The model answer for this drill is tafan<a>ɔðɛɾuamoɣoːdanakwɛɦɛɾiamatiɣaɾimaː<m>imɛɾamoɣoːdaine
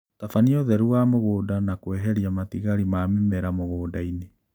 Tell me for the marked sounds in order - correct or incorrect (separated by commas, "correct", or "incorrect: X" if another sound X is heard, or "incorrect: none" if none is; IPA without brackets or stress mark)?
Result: incorrect: i, correct